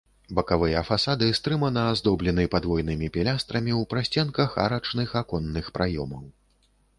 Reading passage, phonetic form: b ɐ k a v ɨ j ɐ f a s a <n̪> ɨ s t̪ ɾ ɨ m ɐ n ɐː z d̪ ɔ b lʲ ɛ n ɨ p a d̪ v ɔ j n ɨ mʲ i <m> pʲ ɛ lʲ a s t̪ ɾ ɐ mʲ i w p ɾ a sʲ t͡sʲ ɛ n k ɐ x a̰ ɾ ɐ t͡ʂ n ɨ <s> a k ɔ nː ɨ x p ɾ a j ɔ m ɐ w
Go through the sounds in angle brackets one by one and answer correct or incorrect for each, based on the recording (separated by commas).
incorrect, incorrect, incorrect